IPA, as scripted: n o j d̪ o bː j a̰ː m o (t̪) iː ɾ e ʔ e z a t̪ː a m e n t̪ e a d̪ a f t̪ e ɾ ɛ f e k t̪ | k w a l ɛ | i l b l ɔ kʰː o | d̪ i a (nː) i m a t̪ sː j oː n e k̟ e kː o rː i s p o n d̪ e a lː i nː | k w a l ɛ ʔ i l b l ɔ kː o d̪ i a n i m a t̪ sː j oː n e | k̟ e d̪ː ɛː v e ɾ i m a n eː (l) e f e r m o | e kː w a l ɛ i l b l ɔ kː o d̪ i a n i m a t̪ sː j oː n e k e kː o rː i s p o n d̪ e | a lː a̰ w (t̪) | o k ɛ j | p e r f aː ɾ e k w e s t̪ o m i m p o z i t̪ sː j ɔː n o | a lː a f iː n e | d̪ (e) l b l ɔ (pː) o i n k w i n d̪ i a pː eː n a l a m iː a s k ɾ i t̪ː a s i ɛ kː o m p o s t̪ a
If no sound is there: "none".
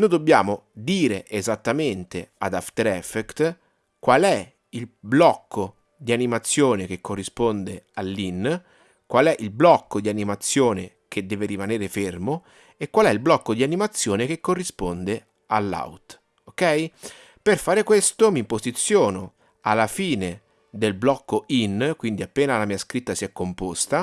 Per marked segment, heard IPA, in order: d̪, n, ɾ, t̪, e, kː

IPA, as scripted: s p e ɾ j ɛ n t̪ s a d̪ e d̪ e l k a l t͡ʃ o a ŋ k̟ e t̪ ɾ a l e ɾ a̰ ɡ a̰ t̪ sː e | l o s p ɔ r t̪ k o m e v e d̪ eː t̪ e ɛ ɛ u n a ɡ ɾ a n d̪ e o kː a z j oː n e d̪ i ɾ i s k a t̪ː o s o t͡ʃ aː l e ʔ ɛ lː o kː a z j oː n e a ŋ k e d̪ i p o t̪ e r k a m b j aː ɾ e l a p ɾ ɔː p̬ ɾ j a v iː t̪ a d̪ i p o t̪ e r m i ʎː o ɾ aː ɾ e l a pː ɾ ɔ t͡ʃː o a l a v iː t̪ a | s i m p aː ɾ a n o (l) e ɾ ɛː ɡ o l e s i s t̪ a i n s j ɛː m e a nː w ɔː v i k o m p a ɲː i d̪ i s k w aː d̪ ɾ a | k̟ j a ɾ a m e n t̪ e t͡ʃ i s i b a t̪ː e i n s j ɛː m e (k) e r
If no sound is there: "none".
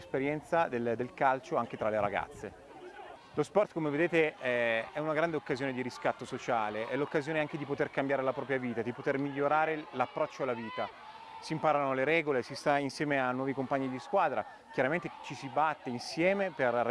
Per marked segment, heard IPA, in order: l, p

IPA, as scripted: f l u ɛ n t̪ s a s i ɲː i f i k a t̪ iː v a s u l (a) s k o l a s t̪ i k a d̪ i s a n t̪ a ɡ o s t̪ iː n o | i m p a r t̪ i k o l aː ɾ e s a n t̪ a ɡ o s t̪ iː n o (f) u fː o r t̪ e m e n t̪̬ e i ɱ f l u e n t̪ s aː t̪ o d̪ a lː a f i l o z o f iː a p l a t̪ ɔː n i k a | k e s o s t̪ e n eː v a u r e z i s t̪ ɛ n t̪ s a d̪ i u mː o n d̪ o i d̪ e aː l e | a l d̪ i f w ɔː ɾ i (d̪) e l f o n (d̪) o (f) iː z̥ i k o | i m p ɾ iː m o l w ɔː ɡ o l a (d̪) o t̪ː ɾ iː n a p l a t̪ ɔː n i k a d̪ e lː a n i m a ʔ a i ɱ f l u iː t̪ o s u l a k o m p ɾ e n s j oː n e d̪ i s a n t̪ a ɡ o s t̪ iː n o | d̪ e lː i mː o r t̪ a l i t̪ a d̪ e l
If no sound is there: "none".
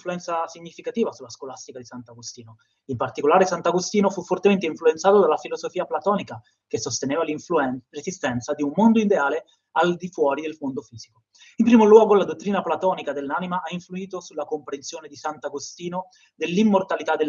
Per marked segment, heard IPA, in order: a, f, d̪, d̪, f, d̪

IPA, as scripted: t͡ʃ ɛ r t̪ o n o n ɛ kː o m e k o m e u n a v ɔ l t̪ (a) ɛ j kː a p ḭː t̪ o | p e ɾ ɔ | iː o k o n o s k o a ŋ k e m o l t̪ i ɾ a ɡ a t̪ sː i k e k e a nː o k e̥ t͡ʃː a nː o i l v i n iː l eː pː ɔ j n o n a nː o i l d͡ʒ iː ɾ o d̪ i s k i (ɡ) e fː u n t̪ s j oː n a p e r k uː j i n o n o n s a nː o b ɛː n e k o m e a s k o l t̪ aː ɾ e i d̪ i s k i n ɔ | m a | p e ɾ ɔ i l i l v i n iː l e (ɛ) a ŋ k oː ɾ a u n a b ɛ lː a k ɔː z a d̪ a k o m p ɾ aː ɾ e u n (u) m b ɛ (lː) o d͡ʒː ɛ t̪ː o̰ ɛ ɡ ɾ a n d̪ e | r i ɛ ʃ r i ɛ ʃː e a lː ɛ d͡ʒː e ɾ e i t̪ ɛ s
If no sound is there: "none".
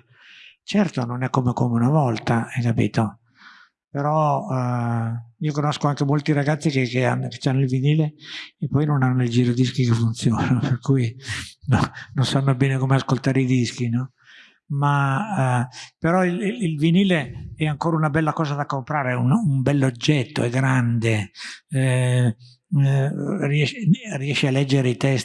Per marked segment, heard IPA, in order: a, k, ɛ, u, lː

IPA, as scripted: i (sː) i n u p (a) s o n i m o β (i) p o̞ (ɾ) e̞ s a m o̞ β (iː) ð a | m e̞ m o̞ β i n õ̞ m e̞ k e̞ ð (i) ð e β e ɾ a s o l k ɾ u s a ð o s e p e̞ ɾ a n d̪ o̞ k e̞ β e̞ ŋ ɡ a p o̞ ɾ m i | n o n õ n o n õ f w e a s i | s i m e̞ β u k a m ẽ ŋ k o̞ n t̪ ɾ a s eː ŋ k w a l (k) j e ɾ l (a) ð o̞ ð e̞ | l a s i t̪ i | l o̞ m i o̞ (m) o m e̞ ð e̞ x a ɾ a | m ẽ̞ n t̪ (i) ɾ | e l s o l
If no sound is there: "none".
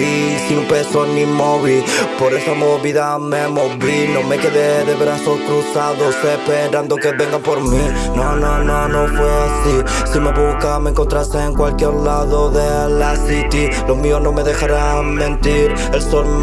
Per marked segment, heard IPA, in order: s, e, i, ɾ, i, e, k, a, n, i

